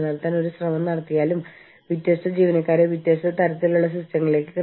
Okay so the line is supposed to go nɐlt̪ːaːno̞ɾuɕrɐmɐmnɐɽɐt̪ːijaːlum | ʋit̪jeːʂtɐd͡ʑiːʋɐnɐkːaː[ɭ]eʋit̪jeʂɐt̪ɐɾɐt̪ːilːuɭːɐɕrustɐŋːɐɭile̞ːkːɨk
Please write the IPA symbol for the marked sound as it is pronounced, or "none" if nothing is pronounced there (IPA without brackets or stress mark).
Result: ɾ